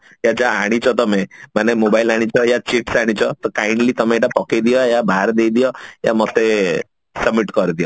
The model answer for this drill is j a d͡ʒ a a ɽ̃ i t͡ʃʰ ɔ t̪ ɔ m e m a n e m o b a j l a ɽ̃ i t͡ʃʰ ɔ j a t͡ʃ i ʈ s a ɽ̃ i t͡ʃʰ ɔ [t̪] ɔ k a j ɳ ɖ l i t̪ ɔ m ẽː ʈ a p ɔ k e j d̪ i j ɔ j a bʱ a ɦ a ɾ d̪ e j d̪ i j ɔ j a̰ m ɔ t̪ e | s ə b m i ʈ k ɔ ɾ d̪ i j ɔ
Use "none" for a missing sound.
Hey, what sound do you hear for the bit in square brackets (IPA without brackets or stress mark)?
t̪